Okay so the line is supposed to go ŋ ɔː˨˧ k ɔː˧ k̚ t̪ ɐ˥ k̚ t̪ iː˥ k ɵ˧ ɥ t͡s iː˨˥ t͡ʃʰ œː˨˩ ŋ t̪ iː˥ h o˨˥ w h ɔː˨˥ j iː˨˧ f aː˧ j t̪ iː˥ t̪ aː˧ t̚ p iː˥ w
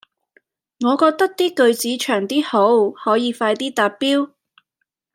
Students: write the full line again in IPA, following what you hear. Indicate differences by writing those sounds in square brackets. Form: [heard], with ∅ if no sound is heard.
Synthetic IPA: ŋ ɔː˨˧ k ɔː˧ k̚ t̪ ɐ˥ k̚ t̪ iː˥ k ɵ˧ ɥ t͡s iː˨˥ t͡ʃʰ œː˨˩ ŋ t̪ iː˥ h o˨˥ w h ɔː˨˥ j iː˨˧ f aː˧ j t̪ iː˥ t̪ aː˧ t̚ p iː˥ w